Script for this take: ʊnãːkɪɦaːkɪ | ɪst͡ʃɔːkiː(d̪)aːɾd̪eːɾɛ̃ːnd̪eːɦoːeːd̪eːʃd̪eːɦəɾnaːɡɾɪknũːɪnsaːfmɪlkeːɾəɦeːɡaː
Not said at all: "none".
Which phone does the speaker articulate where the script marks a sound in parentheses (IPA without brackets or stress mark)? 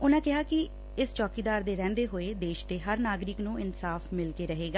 d̪